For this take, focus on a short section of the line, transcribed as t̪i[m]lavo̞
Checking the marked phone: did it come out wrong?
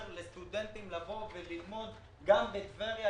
no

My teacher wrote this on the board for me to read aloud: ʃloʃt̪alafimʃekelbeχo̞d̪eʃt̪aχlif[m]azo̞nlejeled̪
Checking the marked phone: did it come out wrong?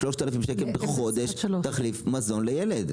no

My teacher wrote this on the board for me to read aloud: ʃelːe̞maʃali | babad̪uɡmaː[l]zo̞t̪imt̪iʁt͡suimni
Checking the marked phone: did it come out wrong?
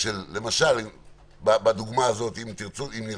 yes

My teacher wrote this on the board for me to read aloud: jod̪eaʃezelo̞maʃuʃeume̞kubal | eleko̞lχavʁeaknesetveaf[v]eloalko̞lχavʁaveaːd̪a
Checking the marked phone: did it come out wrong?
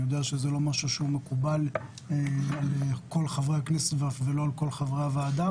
no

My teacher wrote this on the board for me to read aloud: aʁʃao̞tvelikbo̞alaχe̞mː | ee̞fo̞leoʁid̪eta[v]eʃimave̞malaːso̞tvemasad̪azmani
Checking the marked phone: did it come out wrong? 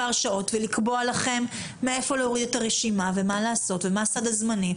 yes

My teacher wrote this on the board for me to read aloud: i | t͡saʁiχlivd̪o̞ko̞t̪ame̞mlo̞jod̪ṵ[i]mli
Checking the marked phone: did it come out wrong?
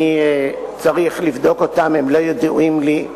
no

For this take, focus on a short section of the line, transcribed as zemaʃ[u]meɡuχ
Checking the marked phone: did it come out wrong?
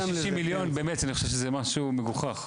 no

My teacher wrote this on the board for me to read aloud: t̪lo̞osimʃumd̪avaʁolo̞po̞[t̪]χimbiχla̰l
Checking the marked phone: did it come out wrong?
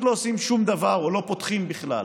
no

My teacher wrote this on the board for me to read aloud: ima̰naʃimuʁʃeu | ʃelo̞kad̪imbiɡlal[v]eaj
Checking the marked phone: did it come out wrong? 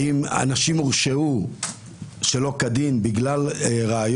yes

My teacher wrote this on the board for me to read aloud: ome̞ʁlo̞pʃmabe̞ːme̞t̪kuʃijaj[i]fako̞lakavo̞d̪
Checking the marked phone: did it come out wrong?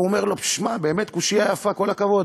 yes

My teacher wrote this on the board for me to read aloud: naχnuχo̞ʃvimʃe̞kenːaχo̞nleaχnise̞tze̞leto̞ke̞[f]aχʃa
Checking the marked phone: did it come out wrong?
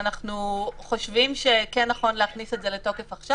no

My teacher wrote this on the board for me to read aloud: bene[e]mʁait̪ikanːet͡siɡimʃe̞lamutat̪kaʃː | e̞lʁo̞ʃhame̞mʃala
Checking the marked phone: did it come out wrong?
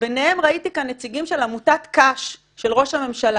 no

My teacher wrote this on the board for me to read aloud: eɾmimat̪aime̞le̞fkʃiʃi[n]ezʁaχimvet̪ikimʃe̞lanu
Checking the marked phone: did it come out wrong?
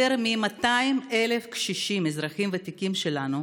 yes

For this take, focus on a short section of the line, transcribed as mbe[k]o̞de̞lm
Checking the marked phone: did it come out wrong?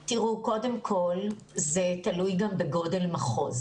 yes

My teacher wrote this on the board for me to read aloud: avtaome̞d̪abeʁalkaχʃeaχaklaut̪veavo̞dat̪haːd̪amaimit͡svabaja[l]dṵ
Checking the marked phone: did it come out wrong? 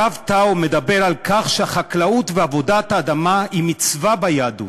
yes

